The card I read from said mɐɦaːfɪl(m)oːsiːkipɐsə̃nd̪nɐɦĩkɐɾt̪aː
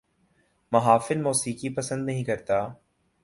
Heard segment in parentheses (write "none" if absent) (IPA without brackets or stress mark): m